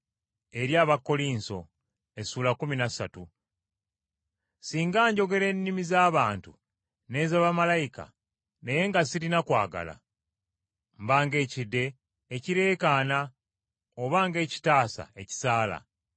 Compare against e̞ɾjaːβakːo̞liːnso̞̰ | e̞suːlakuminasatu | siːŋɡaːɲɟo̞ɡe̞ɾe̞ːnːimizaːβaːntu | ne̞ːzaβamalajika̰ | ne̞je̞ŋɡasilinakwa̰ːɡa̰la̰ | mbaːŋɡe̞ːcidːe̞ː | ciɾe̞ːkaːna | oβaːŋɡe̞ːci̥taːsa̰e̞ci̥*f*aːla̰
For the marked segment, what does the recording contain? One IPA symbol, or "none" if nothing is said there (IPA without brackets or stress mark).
s